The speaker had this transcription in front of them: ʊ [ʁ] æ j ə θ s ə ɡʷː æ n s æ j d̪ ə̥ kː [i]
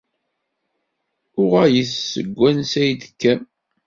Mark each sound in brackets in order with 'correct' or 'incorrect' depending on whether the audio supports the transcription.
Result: correct, incorrect: æ

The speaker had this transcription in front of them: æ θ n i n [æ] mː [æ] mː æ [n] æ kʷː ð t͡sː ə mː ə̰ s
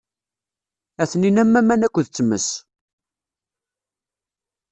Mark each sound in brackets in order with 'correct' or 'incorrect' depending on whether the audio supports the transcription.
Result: correct, correct, correct

